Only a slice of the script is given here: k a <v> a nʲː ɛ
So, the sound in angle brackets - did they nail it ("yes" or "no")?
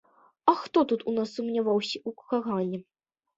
no